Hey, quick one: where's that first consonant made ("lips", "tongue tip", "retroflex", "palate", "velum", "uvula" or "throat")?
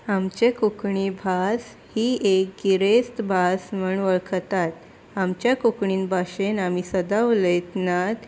lips